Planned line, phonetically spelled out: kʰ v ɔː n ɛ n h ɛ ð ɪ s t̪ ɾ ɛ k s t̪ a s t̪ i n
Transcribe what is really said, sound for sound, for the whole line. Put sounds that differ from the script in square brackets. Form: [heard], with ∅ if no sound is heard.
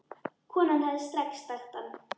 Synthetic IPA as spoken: kʰ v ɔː n [a] n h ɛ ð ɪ s t̪ ɾ ɛ k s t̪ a [x] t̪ [a] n